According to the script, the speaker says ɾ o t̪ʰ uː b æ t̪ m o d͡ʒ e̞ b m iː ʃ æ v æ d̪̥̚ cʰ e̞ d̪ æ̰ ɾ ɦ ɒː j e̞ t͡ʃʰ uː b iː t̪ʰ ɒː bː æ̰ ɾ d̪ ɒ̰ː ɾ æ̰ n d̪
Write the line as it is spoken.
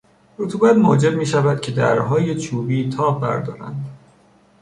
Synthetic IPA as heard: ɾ o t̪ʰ uː b æ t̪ m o d͡ʒ e̞ b m iː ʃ æ v æ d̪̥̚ cʰ e̞ d̪ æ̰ ɾ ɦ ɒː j e̞ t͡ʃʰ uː b iː t̪ʰ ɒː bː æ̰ ɾ d̪ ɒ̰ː ɾ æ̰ n d̪